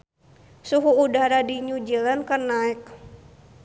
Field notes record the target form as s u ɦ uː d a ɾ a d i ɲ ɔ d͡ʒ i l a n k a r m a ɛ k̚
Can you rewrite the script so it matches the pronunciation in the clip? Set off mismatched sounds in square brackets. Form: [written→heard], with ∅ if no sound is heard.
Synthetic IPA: s u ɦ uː d a ɾ a d i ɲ [ɔ→u] d͡ʒ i l a n k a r [m→n] a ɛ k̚